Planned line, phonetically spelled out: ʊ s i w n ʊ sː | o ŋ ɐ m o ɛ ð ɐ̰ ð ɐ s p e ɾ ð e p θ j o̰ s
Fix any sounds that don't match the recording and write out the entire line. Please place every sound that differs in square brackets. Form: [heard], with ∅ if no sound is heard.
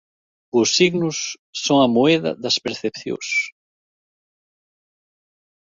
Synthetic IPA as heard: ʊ s i [ɣ] n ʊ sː | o ŋ ɐ m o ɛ ð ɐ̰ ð ɐ s p e ɾ [θ] e p θ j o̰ s